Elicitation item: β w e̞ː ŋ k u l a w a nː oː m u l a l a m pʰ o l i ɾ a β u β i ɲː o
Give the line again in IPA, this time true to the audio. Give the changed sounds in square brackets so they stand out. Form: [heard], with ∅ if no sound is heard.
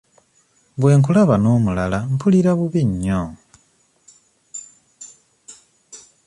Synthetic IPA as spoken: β w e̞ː ŋ k u l a [β] a [n] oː m u l a l a m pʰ [u] l i ɾ a β u β i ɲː o